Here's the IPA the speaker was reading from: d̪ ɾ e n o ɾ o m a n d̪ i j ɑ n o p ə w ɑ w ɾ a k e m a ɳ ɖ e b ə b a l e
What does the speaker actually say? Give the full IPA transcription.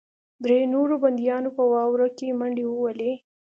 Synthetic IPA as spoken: d̪ ɾ e n o ɾ o b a n d̪ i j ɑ n o p ə w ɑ w ɾ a k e m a ɳ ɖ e w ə w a l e